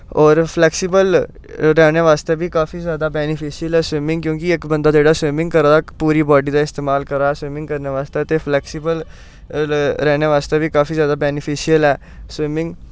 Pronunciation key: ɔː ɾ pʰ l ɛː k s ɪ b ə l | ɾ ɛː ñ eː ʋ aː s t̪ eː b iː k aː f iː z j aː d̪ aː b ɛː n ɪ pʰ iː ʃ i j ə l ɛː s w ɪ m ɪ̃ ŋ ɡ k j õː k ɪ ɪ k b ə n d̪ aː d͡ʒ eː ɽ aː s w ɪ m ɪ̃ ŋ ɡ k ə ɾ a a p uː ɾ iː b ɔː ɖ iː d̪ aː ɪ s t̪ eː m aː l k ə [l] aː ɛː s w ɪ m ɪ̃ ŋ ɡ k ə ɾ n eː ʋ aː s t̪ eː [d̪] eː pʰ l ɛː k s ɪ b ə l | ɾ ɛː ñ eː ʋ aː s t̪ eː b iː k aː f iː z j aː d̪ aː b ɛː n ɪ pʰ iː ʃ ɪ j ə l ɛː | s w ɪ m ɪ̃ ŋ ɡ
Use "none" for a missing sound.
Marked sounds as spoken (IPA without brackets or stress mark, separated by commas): ɾ, t̪